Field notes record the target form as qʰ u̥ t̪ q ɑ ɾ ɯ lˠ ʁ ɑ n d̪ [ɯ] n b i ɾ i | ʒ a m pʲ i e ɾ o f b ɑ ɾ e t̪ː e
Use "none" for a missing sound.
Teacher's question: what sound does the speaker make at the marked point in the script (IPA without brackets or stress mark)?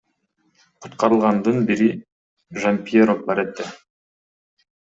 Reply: ɯ